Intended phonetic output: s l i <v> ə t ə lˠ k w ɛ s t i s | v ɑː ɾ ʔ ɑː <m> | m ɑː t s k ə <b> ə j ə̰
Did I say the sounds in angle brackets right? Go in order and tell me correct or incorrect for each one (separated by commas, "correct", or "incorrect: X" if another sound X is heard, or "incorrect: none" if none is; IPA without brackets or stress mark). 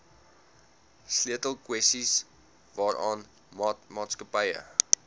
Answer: incorrect: none, incorrect: n, incorrect: p